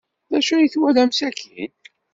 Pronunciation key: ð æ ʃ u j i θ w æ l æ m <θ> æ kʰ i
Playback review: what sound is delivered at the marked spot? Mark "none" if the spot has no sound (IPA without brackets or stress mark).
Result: s